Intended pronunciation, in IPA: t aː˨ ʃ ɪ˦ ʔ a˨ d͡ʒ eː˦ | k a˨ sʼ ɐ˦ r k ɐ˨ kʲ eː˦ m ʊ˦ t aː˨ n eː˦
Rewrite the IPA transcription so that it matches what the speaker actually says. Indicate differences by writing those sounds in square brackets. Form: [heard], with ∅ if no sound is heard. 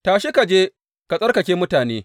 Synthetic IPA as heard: t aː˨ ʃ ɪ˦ [k] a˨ d͡ʒ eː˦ | k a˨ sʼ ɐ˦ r k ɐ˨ kʲ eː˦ m ʊ˦ t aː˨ n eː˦